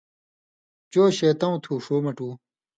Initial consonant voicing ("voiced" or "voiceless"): voiceless